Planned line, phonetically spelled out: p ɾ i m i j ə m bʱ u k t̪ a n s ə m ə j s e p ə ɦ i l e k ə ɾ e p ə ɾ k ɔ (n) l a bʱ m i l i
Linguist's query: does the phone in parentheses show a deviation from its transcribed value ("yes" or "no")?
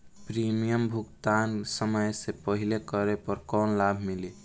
no